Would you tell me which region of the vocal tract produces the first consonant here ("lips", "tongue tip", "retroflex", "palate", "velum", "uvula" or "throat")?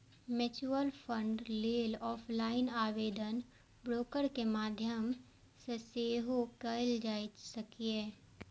lips